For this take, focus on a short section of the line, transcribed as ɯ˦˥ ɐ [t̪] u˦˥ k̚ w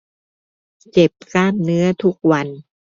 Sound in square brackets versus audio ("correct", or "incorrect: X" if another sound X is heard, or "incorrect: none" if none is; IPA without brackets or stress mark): incorrect: t̪ʰ